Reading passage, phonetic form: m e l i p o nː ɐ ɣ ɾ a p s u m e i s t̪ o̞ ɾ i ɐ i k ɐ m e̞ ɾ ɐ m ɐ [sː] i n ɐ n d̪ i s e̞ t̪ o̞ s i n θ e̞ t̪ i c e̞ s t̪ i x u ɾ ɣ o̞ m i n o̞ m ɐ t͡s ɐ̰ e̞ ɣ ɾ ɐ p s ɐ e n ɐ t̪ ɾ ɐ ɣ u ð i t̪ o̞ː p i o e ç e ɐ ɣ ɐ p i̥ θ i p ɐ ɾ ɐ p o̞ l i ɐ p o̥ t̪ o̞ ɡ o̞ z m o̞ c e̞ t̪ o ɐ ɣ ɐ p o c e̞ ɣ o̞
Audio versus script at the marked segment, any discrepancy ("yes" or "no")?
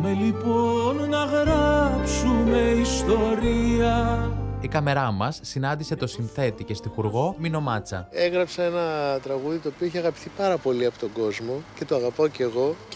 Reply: no